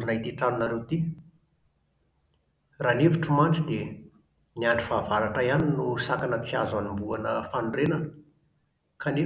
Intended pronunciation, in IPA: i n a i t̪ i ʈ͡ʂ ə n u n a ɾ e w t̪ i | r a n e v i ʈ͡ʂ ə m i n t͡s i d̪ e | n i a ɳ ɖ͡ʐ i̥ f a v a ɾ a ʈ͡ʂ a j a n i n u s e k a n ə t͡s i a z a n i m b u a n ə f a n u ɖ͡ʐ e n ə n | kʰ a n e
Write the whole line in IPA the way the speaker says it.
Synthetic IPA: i n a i t̪ i ʈ͡ʂ a n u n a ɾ e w t̪ i | r a n e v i ʈ͡ʂ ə m a n t͡s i d̪ e | n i a ɳ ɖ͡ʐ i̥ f a v a ɾ a ʈ͡ʂ a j a n i n u s a k a n ə t͡s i a z a n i m b u a n ə f a n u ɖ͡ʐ e n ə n | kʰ a n e